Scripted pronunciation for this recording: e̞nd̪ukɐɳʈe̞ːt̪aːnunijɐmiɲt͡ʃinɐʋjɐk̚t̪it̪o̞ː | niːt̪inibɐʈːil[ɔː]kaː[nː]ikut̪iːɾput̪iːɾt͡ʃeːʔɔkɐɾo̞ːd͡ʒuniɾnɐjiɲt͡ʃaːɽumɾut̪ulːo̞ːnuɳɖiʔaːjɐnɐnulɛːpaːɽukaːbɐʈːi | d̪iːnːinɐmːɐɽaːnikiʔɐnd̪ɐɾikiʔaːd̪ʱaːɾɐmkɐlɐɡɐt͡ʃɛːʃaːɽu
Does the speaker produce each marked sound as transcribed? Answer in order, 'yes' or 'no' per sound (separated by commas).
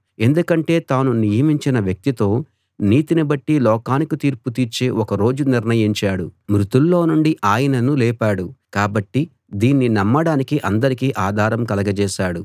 yes, no